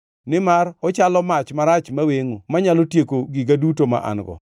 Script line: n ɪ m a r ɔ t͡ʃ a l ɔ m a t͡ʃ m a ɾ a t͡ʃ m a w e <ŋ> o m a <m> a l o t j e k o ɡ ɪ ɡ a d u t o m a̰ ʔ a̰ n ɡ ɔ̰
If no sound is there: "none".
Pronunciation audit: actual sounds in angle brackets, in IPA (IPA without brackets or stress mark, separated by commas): ŋ, ɲ